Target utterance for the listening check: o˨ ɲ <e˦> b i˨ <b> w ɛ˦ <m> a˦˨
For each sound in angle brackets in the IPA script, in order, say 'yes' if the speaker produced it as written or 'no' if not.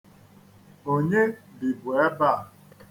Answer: yes, yes, no

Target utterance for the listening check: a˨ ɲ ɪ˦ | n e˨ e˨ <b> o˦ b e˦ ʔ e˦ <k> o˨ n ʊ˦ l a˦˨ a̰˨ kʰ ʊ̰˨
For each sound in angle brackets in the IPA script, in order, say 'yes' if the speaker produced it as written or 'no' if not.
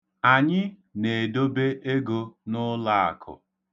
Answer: no, no

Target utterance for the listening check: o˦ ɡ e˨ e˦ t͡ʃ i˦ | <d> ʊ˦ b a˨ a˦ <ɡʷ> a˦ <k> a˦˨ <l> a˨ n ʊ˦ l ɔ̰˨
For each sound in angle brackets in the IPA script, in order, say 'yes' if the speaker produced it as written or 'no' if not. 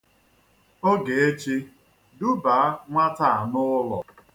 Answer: yes, no, no, no

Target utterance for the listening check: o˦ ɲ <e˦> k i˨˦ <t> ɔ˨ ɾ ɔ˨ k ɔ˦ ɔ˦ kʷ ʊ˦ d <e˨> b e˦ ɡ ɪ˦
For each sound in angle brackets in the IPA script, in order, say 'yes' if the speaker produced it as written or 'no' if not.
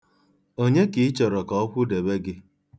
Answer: yes, no, yes

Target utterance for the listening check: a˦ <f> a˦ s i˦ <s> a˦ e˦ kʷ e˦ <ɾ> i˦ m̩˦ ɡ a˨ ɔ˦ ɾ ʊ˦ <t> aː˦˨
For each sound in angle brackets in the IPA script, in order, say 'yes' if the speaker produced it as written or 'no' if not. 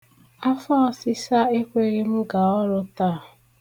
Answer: yes, yes, yes, yes

